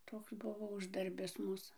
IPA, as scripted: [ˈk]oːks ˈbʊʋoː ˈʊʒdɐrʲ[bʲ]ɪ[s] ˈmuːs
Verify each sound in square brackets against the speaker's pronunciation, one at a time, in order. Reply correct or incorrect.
incorrect, correct, correct

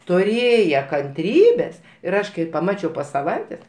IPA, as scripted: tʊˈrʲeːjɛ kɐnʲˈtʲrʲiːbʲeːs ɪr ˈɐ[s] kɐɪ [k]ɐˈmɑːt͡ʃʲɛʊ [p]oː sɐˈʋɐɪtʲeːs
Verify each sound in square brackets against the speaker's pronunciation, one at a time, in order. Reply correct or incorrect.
incorrect, incorrect, correct

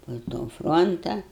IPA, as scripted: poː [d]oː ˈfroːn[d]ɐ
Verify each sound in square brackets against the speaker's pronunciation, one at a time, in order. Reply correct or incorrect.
incorrect, incorrect

